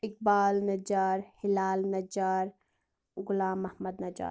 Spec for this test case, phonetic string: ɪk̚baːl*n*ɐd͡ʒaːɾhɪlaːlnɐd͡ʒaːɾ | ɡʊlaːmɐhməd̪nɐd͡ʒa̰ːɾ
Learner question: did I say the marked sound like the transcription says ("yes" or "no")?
yes